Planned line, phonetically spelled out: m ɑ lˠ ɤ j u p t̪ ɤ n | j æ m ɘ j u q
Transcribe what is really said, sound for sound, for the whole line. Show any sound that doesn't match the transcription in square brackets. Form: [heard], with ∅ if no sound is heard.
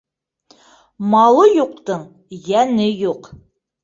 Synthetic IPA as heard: m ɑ lˠ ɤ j u [q] t̪ ɤ [ɴ] | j æ [n] ɘ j u q